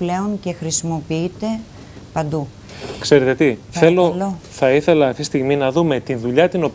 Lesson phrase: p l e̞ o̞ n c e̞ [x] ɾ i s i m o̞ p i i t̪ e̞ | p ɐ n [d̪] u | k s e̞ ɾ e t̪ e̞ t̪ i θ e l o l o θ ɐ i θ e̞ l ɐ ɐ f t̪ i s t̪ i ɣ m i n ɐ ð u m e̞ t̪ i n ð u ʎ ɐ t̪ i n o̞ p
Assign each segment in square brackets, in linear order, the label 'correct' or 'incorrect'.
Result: correct, correct

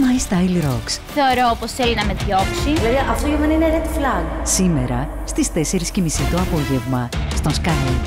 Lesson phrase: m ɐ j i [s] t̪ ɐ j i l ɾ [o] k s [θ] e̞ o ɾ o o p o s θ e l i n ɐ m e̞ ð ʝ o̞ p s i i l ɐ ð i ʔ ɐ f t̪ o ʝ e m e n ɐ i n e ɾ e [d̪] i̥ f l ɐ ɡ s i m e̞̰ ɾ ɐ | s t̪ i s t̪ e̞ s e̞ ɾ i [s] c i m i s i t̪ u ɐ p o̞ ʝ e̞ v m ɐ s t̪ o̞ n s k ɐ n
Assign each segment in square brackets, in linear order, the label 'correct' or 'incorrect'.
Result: correct, correct, correct, incorrect: t̪, correct

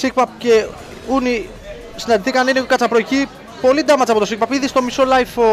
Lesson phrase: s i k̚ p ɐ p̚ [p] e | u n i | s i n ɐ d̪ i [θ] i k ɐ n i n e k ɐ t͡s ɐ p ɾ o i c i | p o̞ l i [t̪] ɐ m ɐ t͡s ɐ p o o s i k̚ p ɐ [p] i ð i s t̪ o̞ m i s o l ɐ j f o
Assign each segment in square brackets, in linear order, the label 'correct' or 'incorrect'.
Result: incorrect: c, correct, incorrect: d̪, correct

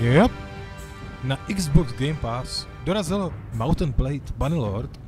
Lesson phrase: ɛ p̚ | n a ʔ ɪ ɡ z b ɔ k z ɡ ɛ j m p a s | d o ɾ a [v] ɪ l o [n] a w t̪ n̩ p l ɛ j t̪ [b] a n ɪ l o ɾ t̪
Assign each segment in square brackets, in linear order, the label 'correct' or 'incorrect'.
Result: incorrect: z, incorrect: m, correct

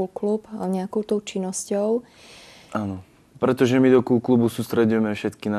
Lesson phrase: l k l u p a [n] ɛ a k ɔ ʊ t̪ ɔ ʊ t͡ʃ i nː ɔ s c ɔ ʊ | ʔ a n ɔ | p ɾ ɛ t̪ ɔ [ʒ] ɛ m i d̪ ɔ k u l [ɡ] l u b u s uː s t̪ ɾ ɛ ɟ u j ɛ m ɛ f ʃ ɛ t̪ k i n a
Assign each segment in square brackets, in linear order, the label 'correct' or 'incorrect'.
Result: incorrect: ɲ, correct, incorrect: k

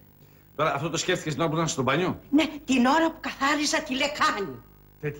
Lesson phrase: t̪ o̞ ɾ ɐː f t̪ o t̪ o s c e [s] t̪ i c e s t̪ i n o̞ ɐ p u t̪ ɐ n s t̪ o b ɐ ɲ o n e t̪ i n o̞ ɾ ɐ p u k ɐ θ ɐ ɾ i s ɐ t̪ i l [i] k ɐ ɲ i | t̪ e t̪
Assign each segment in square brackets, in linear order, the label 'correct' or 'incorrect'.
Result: incorrect: f, incorrect: e

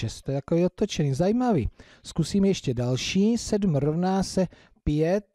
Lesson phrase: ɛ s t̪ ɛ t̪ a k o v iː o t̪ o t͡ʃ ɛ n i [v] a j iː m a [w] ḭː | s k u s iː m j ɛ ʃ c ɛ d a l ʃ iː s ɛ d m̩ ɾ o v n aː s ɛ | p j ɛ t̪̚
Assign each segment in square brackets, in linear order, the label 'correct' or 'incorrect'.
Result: incorrect: z, incorrect: v

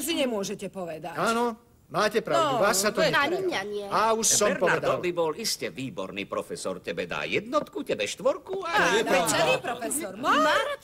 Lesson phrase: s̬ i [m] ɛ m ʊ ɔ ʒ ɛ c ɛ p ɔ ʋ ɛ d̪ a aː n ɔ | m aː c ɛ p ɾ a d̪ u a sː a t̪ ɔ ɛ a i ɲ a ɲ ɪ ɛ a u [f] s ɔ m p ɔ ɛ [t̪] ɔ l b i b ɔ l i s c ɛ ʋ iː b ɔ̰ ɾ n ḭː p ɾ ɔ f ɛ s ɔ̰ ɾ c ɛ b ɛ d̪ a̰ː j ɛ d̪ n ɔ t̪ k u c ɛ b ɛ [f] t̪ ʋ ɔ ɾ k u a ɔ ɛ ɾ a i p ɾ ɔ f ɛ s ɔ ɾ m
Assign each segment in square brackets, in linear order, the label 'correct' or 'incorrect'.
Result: incorrect: ɲ, incorrect: ʃ, incorrect: d̪, incorrect: ʃ

